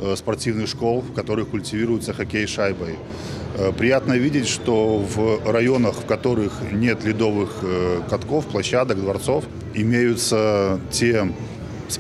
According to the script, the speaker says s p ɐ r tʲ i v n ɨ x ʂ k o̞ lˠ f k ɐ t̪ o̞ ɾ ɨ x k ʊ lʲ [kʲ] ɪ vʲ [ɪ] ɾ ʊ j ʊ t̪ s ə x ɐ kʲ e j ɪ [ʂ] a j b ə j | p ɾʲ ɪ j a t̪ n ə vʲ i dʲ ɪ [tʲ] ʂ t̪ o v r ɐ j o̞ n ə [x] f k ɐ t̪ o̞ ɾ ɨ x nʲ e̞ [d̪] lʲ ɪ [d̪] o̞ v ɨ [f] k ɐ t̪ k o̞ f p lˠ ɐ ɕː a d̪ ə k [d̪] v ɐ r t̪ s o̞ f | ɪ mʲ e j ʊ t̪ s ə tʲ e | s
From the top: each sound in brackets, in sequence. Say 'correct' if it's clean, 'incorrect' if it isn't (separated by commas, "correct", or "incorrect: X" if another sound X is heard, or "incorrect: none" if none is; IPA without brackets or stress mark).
incorrect: tʲ, incorrect: i, correct, correct, correct, incorrect: t̪, correct, incorrect: x, correct